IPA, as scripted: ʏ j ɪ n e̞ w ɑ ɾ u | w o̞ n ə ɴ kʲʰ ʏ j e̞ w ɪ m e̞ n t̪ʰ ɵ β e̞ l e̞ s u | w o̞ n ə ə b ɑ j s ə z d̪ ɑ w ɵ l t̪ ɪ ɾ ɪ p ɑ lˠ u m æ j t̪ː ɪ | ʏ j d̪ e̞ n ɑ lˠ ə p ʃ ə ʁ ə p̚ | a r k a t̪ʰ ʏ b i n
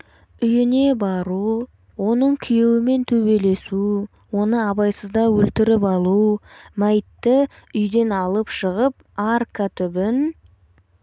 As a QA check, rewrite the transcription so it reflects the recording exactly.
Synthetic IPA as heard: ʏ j ɪ n e̞ b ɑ ɾ u | w o̞ n ə ɴ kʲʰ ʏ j e̞ w ɪ m e̞ n t̪ʰ ɵ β e̞ l e̞ s u | w o̞ n ə ɑ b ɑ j s ə z d̪ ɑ w ɵ l t̪ ɪ ɾ ɪ p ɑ lˠ u m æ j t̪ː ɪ | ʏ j d̪ e̞ n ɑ lˠ ə p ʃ ə ʁ ə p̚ | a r k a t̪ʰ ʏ b ɪ n